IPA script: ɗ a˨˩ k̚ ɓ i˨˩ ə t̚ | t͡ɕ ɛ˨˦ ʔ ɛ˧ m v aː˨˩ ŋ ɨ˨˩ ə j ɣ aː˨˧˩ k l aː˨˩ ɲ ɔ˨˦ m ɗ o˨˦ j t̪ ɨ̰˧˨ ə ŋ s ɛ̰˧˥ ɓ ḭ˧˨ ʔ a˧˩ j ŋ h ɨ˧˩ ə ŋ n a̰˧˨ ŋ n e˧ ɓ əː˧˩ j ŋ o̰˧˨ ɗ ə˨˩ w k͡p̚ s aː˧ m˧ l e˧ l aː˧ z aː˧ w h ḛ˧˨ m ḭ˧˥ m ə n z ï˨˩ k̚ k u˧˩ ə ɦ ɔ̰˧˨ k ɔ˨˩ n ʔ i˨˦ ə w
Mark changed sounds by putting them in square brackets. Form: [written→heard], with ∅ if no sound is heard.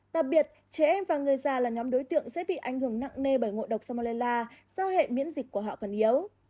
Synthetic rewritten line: ɗ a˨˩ k̚ ɓ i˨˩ ə t̚ | t͡ɕ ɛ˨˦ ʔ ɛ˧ m v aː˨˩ ŋ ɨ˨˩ ə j [ɣ→z] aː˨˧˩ [k→∅] l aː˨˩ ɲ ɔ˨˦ m ɗ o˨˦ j t̪ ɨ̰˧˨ ə ŋ s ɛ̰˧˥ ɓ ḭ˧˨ ʔ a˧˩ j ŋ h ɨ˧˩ ə ŋ n a̰˧˨ ŋ n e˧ ɓ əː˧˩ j ŋ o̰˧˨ ɗ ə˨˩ w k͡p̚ s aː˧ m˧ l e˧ l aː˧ z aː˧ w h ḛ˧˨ m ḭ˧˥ [m→∅] ə n z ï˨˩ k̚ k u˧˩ ə ɦ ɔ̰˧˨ k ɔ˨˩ n ʔ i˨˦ ə w